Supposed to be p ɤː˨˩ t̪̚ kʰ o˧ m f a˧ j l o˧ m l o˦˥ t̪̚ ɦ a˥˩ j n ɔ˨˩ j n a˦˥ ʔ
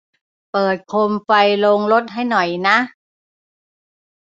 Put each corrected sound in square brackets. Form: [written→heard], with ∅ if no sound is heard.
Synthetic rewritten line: p ɤː˨˩ t̪̚ kʰ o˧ m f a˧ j l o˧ [m→ŋ] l o˦˥ t̪̚ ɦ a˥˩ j n ɔ˨˩ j n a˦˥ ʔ